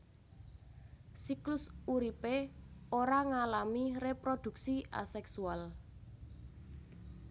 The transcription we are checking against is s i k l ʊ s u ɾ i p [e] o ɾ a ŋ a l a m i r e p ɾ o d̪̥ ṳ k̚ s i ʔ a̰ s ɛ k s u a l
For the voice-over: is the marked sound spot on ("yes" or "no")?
yes